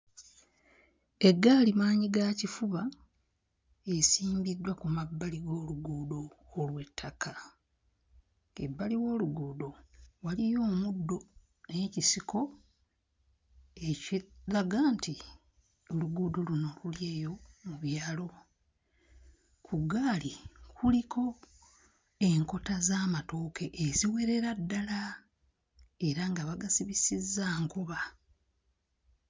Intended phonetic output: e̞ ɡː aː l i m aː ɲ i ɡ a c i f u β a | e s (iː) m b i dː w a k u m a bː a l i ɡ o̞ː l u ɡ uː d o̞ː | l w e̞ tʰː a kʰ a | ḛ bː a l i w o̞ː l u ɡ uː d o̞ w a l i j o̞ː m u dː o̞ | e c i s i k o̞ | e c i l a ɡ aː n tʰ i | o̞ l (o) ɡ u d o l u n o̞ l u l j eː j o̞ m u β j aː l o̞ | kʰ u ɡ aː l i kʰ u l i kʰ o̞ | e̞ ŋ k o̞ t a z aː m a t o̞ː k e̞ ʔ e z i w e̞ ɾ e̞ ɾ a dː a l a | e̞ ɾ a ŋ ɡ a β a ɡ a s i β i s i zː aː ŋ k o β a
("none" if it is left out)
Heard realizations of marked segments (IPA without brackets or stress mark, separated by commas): iː, u